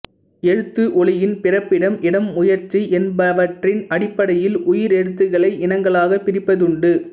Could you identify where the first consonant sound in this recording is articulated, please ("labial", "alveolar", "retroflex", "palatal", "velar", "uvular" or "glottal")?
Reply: retroflex